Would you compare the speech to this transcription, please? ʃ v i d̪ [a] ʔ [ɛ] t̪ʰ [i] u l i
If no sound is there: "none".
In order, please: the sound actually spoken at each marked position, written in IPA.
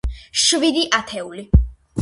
i, a, ɛ

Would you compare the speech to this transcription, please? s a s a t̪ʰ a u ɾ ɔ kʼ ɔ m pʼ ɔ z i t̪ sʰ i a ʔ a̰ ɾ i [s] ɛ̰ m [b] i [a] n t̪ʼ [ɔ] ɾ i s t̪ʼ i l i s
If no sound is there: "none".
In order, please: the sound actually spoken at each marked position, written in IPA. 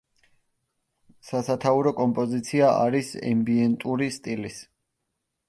s, b, ɛ, u

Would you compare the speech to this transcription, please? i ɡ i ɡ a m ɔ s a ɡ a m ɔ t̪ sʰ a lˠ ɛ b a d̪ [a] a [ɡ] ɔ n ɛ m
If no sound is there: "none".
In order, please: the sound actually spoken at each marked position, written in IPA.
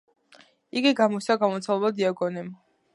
i, ɡ

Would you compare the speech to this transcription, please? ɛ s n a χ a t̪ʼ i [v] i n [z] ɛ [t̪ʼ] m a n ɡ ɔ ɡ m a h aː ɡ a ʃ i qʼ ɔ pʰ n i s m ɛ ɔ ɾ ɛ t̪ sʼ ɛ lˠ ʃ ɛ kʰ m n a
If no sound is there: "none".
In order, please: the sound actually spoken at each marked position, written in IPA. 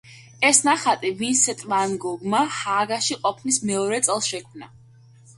v, s, t̪ʼ

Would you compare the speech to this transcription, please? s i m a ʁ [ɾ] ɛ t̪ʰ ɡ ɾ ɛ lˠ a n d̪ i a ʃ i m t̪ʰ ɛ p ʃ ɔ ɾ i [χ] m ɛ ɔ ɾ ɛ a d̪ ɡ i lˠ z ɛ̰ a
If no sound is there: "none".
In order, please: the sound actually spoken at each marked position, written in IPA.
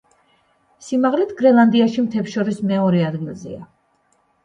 l, s

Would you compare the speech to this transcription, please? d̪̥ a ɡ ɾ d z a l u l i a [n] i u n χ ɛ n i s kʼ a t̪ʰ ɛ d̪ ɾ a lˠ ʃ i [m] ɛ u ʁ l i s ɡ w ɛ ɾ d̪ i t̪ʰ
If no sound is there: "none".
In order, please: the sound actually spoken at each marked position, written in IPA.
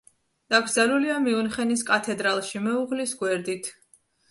m, m

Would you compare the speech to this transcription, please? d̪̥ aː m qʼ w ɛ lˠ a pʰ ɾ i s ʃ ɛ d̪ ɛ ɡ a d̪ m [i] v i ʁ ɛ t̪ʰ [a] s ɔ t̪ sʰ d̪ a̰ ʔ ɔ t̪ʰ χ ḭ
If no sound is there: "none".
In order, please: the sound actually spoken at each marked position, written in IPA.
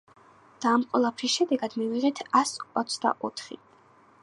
i, a

